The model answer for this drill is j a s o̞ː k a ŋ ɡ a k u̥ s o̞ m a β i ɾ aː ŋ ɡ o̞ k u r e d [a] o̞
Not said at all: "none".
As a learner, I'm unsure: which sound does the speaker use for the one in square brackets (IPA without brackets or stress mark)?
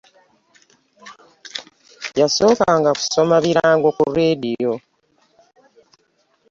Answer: i